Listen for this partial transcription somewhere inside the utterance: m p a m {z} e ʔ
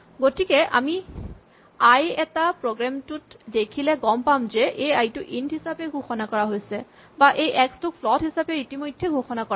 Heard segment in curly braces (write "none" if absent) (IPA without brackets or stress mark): z